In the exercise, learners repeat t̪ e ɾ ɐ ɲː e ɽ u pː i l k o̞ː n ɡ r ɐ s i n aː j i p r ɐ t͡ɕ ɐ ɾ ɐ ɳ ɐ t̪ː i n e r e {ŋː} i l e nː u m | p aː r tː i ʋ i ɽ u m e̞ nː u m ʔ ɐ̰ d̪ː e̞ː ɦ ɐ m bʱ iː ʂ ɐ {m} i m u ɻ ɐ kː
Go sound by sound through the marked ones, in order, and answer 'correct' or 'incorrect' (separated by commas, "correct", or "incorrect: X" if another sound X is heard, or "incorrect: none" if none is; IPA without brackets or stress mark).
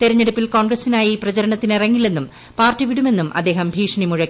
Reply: correct, incorrect: ɳ